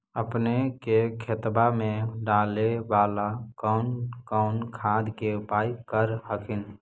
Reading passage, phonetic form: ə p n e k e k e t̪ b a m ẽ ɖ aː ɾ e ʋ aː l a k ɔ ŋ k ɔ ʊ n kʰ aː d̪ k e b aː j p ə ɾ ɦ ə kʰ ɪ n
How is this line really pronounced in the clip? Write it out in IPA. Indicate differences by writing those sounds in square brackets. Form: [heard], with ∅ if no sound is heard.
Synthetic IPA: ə p n e k e [kʰ] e t̪ b a m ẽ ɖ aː [l] e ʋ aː l a k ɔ [n] k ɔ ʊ n kʰ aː d̪ k e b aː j [k] ə ɾ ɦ ə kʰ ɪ n